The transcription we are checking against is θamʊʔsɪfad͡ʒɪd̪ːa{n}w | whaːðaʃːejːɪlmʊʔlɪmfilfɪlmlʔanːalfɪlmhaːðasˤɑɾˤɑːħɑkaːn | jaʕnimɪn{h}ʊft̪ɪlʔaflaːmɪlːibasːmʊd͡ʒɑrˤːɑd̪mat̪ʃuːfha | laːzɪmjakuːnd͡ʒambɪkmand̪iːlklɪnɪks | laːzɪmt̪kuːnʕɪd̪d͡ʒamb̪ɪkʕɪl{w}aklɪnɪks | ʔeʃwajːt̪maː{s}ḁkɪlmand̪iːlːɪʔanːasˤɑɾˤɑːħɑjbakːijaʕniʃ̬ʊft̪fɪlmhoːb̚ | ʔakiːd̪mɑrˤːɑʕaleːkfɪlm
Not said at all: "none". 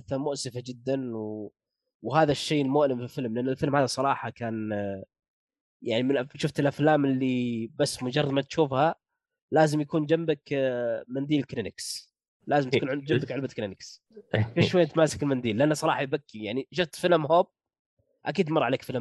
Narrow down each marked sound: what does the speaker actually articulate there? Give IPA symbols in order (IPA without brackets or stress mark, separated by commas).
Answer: n, ʃ, b, s